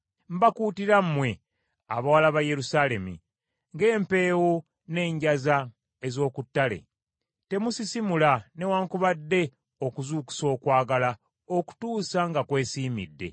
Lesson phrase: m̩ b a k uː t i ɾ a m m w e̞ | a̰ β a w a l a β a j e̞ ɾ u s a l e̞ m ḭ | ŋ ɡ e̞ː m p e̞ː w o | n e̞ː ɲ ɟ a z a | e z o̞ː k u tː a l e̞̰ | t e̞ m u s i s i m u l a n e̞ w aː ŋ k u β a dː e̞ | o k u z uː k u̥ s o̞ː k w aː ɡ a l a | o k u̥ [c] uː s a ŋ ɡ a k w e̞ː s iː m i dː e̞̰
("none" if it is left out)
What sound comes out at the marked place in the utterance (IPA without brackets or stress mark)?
t